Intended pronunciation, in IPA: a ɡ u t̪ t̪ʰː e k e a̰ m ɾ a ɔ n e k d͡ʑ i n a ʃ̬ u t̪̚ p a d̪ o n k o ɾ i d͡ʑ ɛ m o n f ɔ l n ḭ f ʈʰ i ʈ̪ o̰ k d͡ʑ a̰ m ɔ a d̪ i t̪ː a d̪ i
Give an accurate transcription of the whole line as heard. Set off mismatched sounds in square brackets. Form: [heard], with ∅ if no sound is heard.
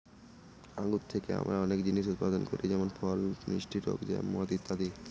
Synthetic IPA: a ɡ u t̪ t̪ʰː e k e a̰ m ɾ a ɔ n e k d͡ʑ i n [i] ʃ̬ u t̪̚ p a d̪ o n k o ɾ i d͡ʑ ɛ m o n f ɔ l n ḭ [ʃ] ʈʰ i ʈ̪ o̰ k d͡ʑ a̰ m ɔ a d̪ i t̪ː a d̪ i

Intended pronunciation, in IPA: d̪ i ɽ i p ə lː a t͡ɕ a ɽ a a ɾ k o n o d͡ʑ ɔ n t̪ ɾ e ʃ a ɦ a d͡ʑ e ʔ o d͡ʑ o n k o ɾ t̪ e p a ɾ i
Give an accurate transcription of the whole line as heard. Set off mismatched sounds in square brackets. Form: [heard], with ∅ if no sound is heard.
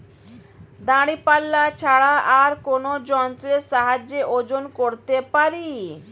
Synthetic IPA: d̪ [a] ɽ i p [a] lː a [t͡ɕʰ] a ɽ a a ɾ k o n o d͡ʑ ɔ n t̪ ɾ e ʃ a ɦ a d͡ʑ e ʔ o d͡ʑ o n k o ɾ t̪ e p a ɾ i

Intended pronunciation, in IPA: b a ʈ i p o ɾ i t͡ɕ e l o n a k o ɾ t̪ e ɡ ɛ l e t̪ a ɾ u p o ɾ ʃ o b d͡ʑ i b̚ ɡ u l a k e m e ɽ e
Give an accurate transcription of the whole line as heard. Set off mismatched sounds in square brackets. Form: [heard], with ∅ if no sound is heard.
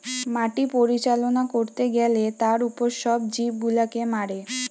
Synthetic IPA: [m] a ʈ i p o ɾ i t͡ɕ [a] l o n a k o ɾ t̪ e ɡ ɛ l e t̪ a ɾ u p o ɾ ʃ [ɔ] b d͡ʑ i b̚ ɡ u l a k e m [a] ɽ e

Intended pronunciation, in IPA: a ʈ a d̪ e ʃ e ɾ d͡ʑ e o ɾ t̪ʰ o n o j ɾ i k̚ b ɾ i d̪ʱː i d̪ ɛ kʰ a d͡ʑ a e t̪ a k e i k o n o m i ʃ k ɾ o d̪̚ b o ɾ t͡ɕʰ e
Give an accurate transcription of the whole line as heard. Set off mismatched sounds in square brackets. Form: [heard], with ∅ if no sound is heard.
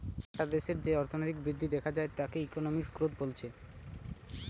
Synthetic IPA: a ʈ a d̪ e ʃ e ɾ d͡ʑ e [ɔ] ɾ t̪ʰ o n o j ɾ i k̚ b ɾ i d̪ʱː i d̪ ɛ kʰ a d͡ʑ a e t̪ a k e i k o n o m i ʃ k ɾ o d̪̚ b o [l] t͡ɕʰ e

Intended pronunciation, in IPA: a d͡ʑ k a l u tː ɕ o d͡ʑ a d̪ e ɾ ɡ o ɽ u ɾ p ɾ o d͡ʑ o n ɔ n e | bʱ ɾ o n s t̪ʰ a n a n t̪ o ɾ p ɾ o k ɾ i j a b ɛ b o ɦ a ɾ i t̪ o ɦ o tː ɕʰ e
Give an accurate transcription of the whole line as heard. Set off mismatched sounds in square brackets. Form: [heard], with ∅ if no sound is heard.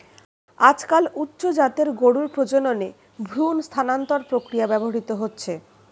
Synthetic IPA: a d͡ʑ k a l u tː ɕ o d͡ʑ a [t̪] e ɾ ɡ o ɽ u ɾ p ɾ o d͡ʑ o n [o] n e | bʱ ɾ [u] n s t̪ʰ a n a n t̪ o ɾ p ɾ o k ɾ i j a b ɛ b o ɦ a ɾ i t̪ o ɦ o tː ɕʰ e

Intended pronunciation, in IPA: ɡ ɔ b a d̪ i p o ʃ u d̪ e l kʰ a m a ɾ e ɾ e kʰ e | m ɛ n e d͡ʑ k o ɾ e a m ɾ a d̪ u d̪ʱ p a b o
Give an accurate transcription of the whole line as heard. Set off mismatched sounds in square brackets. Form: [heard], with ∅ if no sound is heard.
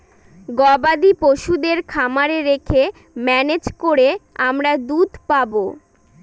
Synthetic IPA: ɡ ɔ b a d̪ i p o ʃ u d̪ e [ɾ] kʰ a m a ɾ e ɾ e kʰ e | m ɛ n e d͡ʑ k o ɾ e a m ɾ a d̪ u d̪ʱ p a b o

